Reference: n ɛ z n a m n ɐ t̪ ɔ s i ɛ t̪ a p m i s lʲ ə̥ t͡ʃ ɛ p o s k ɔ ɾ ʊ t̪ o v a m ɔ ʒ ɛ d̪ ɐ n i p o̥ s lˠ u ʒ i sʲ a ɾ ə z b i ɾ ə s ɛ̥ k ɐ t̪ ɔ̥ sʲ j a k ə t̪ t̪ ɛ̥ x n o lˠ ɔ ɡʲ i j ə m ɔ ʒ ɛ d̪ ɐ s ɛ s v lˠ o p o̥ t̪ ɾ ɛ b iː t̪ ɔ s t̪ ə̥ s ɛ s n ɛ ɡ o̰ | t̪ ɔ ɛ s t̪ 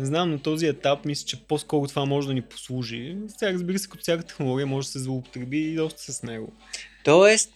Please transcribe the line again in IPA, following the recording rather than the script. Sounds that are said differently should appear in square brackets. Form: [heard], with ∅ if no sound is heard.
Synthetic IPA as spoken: n ɛ z n a m n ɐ t̪ ɔ [z] i ɛ t̪ a p m i s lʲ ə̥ t͡ʃ ɛ p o s k ɔ ɾ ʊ t̪ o v a m ɔ ʒ ɛ d̪ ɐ n i p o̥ s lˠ u ʒ i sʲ a ɾ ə z b i ɾ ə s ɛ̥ k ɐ t̪ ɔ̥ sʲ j a k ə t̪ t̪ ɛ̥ x n o lˠ ɔ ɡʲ i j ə m ɔ ʒ ɛ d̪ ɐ s ɛ [z] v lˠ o p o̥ t̪ ɾ ɛ b iː [d̪] ɔ s t̪ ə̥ s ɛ s n ɛ ɡ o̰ | t̪ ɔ ɛ s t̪